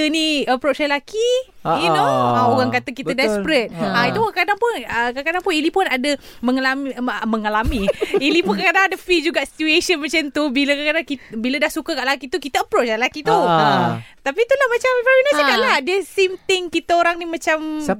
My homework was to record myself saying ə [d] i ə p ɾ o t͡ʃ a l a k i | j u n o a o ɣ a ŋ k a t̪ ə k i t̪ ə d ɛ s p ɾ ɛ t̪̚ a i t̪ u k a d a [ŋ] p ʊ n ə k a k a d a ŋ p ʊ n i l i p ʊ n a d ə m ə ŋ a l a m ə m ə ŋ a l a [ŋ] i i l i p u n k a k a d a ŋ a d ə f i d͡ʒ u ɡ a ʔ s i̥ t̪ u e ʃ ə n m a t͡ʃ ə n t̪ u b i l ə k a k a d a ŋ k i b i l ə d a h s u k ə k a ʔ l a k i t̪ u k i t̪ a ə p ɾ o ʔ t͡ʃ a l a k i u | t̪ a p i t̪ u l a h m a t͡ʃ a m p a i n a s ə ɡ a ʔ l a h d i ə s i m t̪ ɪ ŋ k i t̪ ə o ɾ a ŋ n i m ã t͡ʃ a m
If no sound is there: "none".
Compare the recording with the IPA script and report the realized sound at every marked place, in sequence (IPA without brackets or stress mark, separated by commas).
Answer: n, ŋ, m